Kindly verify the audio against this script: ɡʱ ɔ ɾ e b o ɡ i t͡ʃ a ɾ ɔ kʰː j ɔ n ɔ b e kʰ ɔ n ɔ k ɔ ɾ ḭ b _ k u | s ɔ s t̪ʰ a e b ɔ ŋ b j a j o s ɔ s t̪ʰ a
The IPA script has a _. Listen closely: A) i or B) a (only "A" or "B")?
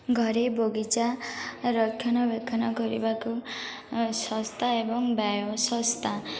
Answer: B